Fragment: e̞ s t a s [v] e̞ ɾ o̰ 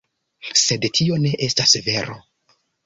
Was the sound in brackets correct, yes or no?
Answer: yes